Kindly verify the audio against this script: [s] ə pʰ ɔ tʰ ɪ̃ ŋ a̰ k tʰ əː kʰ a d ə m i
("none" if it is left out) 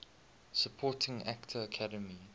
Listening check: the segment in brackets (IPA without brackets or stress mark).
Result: s